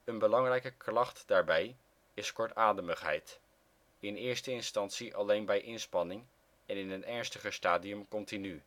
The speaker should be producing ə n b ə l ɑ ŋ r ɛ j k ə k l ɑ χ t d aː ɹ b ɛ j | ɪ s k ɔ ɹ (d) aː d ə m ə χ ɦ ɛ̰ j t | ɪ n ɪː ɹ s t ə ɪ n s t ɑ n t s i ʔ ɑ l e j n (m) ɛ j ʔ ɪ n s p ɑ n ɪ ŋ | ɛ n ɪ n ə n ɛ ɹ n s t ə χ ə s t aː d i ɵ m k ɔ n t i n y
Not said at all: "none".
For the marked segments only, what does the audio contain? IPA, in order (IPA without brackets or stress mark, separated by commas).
t, b